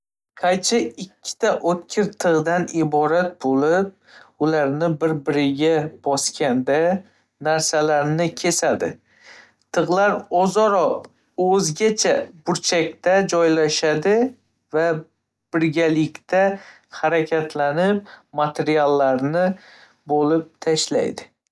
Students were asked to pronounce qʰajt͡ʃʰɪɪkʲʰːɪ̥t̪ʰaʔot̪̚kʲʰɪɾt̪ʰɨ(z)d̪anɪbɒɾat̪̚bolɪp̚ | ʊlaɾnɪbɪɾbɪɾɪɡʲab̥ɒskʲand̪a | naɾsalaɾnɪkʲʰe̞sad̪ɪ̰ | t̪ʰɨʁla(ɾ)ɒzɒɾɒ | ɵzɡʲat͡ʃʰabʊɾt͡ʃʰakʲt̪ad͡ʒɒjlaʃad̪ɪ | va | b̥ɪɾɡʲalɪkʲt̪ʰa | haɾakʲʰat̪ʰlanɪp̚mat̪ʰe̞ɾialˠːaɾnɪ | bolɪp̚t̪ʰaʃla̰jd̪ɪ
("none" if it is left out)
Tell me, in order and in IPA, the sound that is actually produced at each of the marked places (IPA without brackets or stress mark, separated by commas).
ʁ, ɾ